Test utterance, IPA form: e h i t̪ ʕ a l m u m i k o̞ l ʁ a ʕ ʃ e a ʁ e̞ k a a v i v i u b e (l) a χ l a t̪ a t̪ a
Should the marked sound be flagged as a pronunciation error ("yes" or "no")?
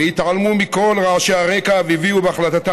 yes